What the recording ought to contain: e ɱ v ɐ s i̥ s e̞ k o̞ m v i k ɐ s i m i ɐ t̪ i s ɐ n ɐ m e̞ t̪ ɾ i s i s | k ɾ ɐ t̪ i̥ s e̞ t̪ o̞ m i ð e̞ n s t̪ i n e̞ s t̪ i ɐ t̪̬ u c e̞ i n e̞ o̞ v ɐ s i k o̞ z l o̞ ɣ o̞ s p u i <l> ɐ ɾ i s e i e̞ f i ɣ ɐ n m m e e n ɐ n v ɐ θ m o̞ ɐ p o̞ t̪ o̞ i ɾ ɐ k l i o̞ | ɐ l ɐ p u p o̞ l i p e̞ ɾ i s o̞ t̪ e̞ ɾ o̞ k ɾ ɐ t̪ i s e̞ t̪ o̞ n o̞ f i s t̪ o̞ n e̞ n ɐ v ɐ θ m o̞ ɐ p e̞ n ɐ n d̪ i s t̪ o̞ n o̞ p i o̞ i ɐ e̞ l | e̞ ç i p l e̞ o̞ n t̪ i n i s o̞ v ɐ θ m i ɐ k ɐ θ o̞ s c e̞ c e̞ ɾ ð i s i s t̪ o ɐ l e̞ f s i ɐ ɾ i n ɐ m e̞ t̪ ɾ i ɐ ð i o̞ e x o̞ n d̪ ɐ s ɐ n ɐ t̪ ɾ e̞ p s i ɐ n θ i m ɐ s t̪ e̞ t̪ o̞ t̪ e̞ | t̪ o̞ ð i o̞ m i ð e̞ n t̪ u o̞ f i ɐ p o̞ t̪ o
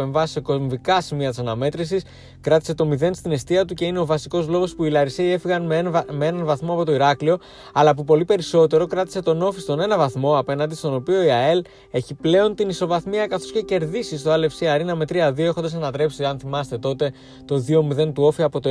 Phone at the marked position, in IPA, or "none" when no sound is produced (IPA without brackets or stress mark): l